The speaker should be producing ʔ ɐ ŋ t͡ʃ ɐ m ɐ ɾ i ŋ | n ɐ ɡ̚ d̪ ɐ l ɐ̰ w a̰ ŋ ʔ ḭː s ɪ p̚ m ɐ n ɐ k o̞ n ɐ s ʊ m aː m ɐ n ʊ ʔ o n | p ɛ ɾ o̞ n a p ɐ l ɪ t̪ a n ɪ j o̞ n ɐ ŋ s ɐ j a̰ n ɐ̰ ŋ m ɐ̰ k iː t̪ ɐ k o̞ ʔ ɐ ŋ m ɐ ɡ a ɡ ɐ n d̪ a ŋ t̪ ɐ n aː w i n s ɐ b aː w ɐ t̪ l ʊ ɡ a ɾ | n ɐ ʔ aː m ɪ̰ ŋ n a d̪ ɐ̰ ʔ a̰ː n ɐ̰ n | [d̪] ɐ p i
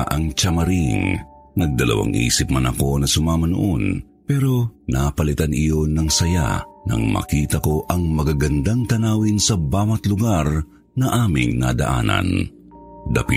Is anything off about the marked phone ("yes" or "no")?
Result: no